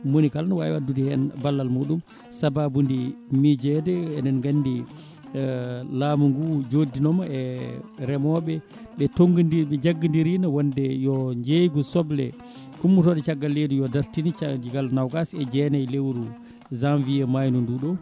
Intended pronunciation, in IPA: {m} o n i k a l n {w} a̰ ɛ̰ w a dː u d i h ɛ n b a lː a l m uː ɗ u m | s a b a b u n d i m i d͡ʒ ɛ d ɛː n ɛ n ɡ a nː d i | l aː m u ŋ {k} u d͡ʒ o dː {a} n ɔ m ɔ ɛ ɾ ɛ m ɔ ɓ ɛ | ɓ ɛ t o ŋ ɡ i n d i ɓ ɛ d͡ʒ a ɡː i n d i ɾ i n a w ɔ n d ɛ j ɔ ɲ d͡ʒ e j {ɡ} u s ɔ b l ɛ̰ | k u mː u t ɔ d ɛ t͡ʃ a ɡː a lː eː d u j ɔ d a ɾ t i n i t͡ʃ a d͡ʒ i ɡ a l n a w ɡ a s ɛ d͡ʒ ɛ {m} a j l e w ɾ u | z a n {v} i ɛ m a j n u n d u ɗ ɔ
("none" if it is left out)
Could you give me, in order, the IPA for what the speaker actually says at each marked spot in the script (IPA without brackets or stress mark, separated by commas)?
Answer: m, w, ɡ, i, ɡ, n, v